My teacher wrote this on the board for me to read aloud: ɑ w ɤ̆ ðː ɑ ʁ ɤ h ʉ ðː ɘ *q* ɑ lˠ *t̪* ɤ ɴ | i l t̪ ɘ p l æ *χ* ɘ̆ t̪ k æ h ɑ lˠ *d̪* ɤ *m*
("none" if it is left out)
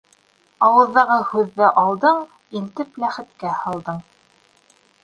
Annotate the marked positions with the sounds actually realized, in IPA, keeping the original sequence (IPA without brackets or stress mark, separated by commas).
ʔ, d̪, χ, d̪, ɴ